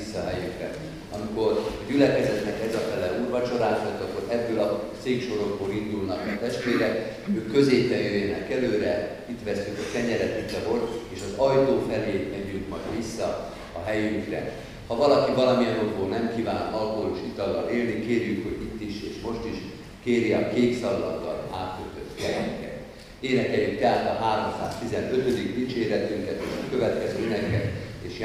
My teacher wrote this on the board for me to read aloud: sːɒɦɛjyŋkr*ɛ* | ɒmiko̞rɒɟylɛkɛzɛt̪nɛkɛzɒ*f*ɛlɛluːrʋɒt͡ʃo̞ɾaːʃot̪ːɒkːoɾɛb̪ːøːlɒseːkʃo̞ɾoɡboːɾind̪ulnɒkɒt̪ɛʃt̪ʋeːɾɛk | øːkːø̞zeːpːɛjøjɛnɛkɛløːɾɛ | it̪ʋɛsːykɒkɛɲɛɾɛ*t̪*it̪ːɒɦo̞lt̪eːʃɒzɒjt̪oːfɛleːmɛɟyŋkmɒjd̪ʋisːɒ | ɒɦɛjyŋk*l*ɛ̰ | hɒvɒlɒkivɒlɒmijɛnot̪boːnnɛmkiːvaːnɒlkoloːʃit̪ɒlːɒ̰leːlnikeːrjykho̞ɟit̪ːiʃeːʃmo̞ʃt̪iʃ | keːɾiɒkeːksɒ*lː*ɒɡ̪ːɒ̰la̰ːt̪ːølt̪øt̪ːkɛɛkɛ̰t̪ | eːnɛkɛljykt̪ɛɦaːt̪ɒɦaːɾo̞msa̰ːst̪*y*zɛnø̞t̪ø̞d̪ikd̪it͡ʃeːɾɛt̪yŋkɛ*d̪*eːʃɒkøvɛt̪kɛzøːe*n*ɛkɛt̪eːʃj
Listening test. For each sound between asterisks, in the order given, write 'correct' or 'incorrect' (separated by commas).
correct, correct, correct, incorrect, correct, incorrect, incorrect, correct